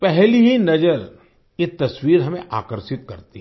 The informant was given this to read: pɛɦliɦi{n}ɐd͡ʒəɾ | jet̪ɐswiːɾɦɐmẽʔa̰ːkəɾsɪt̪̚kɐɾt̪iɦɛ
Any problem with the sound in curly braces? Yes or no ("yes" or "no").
no